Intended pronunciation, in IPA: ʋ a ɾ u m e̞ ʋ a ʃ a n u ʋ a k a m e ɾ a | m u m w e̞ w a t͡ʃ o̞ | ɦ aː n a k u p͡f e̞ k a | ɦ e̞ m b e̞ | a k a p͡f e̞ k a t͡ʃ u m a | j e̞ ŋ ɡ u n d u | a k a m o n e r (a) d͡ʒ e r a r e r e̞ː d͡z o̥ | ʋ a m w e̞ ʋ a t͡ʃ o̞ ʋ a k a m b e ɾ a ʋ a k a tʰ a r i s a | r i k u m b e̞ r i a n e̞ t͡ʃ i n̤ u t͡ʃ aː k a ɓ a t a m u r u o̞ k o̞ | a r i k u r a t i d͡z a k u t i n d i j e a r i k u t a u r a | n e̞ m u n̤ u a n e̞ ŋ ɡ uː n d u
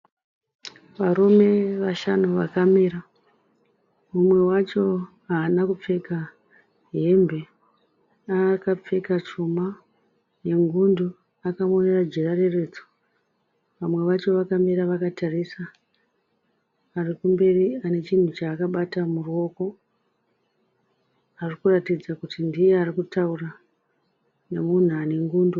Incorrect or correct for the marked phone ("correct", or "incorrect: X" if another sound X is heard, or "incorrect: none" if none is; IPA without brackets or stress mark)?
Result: correct